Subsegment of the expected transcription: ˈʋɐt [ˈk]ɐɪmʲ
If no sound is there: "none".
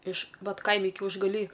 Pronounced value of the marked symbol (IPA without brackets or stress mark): k